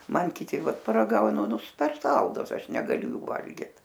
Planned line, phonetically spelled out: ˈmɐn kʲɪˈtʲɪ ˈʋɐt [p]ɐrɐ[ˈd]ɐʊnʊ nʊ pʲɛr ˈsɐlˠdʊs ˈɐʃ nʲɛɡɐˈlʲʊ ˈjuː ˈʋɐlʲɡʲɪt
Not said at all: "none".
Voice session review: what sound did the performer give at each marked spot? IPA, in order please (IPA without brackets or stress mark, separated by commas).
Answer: p, ɡ